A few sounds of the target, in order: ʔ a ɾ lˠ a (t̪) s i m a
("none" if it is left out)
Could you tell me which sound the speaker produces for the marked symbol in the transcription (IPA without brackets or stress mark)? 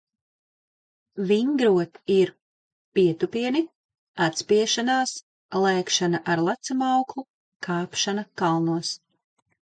t̪